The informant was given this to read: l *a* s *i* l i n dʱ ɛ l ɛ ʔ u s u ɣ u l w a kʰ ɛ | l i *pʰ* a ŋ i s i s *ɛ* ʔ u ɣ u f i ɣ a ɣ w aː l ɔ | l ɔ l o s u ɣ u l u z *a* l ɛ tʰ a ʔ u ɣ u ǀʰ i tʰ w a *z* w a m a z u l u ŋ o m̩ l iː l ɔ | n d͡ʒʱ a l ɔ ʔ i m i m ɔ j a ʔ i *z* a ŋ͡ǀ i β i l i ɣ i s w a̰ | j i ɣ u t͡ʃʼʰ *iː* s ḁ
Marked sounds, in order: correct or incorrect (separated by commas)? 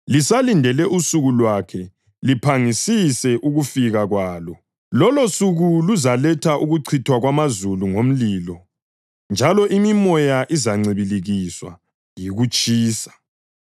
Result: incorrect, incorrect, correct, correct, correct, incorrect, correct, correct